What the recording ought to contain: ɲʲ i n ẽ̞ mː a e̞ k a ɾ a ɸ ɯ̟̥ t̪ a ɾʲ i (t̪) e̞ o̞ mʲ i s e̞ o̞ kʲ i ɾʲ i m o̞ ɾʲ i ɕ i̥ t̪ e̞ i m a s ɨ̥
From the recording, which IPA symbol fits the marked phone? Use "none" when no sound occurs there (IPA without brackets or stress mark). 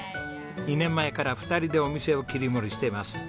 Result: d̪